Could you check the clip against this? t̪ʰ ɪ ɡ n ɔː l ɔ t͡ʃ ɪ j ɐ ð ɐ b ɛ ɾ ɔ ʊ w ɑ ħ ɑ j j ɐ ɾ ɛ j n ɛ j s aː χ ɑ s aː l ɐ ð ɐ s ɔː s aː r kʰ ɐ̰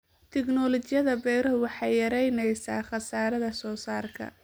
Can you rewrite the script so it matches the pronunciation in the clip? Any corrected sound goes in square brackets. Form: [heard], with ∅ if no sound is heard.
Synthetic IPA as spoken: t̪ʰ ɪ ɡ n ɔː l ɔ t͡ʃ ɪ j ɐ ð ɐ b ɛ ɾ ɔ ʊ w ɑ ħ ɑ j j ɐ ɾ ɛ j n ɛ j s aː χ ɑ s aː [ɾ] ɐ ð ɐ s ɔː s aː r kʰ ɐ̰